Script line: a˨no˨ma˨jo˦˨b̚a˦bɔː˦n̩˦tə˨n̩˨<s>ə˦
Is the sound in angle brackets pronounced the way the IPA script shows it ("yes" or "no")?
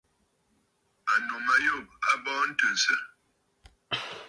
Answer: yes